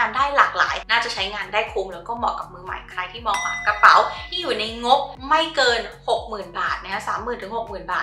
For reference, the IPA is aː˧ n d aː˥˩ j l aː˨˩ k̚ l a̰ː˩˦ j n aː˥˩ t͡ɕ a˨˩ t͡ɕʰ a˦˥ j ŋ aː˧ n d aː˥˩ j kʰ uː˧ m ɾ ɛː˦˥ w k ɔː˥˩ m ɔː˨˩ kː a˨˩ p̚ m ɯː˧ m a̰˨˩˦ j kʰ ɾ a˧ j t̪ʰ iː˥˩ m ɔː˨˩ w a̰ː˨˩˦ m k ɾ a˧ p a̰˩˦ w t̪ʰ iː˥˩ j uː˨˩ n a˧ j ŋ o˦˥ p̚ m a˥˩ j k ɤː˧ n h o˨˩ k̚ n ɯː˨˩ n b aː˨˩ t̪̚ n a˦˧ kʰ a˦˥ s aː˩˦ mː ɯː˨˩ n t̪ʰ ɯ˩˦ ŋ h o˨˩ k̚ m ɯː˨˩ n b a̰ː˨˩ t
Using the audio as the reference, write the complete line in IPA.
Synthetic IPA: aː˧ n d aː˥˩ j l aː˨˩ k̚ l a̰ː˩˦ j n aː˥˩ t͡ɕ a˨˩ t͡ɕʰ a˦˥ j ŋ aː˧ n d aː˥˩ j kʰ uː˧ m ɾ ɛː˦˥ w k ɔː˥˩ m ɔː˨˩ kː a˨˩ p̚ m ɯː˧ m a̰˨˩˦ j kʰ ɾ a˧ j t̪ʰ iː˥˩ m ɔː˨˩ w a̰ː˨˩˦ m k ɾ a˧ p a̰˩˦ w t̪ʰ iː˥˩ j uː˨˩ n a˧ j ŋ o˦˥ p̚ m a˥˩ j k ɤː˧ n h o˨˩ k̚ m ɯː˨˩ n b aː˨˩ t̪̚ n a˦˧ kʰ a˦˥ s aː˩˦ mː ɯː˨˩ n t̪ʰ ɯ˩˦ ŋ h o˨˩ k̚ m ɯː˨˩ n b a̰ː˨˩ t